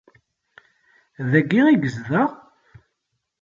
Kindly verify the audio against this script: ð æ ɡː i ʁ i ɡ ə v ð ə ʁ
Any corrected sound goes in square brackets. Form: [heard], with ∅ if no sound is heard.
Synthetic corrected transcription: ð æ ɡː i ʁ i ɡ ə [z] ð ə ʁ